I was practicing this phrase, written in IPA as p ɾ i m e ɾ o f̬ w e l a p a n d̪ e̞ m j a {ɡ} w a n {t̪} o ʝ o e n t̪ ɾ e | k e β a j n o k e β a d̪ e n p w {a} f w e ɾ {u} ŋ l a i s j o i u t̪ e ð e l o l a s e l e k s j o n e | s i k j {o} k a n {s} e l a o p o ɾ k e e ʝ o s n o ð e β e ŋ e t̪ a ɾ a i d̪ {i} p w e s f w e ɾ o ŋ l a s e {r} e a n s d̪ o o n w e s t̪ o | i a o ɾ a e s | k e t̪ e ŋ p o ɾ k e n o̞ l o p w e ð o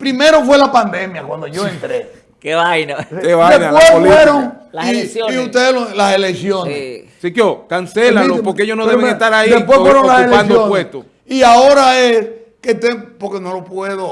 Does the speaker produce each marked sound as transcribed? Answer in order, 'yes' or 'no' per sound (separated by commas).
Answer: no, no, no, no, yes, yes, no, no